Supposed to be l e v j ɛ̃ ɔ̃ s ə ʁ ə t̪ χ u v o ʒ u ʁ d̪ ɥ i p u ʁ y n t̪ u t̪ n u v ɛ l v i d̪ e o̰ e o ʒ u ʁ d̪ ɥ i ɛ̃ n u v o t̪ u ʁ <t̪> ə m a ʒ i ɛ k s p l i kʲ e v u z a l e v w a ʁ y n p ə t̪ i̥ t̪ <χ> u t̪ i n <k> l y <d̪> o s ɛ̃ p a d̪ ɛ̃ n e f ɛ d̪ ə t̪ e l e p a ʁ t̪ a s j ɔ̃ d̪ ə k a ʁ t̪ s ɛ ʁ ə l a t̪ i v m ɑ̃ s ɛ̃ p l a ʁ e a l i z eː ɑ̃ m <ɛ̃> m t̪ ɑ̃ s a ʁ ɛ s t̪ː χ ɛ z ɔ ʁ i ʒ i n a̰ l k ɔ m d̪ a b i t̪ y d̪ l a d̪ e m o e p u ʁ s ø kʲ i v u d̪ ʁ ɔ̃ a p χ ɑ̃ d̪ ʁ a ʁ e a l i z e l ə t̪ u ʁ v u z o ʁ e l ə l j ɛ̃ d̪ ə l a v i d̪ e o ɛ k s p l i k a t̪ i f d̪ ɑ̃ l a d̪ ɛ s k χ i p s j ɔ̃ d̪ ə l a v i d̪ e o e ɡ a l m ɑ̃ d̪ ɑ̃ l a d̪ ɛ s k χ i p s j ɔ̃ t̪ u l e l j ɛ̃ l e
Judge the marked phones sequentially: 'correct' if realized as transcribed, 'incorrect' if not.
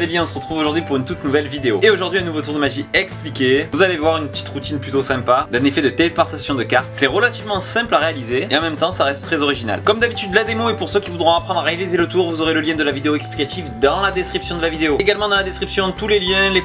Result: incorrect, incorrect, incorrect, incorrect, incorrect

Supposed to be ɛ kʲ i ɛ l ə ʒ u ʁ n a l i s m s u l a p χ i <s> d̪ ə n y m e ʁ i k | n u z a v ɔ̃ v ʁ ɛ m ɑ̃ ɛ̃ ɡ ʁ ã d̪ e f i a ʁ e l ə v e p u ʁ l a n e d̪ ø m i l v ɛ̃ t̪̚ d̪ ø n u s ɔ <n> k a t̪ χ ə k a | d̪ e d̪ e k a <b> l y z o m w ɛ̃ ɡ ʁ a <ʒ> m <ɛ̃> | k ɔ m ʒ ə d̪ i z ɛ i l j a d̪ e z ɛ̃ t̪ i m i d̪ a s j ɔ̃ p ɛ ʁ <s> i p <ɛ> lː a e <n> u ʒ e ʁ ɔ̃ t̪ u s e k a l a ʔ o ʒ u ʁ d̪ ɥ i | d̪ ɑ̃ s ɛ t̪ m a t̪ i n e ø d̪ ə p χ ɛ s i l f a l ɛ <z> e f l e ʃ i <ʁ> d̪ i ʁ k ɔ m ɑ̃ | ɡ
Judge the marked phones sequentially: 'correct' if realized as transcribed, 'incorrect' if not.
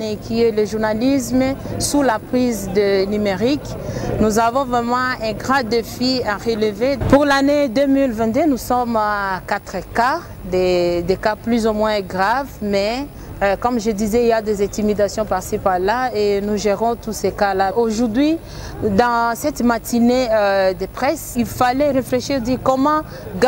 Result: incorrect, incorrect, incorrect, incorrect, incorrect, correct, incorrect, correct, incorrect, correct

